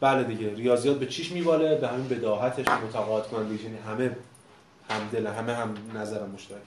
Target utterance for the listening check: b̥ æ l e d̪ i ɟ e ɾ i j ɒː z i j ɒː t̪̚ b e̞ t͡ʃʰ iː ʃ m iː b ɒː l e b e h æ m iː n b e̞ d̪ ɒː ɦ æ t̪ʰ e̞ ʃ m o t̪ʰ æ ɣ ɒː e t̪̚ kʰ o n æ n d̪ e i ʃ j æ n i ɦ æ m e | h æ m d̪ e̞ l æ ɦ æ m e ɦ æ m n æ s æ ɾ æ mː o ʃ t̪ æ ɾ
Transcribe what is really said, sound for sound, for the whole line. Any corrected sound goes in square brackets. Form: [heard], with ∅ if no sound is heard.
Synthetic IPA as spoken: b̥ æ l e d̪ i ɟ e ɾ i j ɒː z i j ɒː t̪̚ b e̞ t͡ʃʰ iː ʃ m iː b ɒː l e b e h æ m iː n b e̞ d̪ ɒː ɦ æ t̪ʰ e̞ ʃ m o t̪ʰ æ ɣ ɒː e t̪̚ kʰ o n æ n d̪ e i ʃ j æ n i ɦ æ m e | h æ m d̪ e̞ l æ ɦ æ m e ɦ æ m n æ [z] æ ɾ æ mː o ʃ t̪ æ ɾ